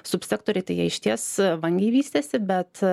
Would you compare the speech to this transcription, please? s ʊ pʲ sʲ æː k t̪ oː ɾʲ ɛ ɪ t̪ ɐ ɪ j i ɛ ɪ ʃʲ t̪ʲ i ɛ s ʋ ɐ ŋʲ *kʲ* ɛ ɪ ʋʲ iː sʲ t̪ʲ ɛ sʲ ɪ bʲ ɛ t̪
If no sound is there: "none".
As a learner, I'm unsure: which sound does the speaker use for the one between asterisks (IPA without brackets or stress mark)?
ɡʲ